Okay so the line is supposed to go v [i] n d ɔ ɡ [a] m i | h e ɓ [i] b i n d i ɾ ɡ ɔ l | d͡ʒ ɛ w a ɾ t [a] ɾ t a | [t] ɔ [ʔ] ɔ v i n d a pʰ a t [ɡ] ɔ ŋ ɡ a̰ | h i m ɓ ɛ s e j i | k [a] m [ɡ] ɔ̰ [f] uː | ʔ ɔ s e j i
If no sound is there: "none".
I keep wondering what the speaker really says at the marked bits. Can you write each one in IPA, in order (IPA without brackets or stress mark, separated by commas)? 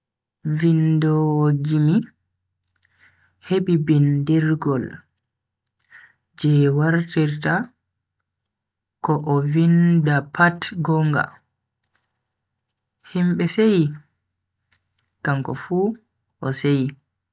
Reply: i, i, i, i, k, ʔ, ɡ, a, k, f